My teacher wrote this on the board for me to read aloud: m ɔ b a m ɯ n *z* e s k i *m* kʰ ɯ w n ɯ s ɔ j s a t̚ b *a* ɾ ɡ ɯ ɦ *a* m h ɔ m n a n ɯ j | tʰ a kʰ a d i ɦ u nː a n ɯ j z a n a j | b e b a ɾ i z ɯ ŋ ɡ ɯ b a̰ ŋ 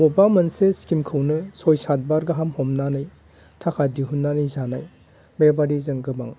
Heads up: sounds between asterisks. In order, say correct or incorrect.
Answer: incorrect, correct, correct, correct

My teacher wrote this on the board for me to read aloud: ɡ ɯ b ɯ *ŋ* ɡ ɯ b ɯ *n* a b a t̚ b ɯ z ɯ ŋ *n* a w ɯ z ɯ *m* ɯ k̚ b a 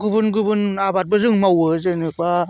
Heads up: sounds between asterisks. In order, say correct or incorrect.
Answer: incorrect, correct, incorrect, incorrect

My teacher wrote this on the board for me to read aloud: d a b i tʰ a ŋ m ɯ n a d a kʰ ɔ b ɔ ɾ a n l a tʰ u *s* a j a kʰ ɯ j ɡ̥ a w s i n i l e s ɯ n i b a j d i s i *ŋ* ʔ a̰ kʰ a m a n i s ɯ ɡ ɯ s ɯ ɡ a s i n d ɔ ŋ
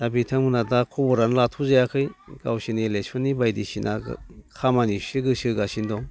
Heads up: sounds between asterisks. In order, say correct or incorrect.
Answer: incorrect, incorrect

